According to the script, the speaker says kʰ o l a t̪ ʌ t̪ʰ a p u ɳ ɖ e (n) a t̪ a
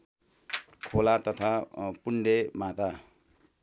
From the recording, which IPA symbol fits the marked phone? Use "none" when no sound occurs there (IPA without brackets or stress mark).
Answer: m